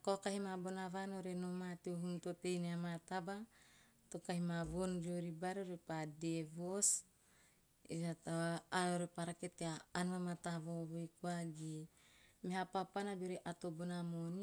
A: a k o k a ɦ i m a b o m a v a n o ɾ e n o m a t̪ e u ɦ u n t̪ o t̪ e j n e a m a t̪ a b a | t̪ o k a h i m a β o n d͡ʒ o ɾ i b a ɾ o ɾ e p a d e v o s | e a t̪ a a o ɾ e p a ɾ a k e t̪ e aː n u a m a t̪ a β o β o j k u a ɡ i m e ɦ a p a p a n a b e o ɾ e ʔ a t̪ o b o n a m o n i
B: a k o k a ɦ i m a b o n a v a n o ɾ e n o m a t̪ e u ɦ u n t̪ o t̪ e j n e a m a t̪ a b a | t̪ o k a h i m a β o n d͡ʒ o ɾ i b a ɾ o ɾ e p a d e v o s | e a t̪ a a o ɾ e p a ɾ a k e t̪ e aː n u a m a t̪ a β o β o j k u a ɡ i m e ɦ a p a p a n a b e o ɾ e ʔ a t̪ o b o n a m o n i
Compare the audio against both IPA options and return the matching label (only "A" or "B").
B